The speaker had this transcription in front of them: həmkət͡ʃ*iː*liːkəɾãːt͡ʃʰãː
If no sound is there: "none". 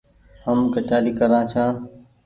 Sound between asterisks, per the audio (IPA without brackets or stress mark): aː